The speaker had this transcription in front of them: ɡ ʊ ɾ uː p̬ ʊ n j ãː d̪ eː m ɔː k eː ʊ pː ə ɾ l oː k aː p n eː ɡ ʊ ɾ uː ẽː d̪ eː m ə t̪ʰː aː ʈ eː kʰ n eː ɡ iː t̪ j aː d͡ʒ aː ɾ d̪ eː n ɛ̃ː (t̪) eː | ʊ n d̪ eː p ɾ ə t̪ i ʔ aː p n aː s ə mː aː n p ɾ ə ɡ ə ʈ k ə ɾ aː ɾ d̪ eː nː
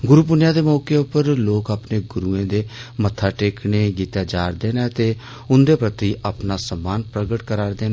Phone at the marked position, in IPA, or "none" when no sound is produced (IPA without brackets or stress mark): t̪